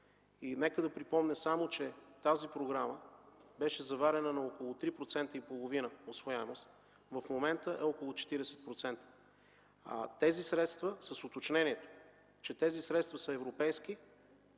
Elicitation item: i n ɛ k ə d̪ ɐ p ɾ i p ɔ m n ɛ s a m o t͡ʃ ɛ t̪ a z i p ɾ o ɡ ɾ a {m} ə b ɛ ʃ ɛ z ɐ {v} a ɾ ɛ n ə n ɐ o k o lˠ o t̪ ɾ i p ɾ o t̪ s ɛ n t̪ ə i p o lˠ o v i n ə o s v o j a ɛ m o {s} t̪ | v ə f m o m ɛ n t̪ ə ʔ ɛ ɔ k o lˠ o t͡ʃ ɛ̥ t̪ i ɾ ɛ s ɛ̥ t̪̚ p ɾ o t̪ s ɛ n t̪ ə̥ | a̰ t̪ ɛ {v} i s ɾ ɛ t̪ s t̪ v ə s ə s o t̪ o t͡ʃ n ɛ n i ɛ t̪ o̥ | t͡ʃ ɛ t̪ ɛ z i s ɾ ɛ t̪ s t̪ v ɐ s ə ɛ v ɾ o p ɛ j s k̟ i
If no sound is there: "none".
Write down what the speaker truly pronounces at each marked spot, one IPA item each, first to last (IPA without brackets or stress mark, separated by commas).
m, v, s, z